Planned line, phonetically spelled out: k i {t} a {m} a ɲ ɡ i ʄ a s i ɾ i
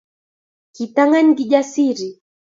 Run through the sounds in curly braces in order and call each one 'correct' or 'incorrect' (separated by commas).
correct, incorrect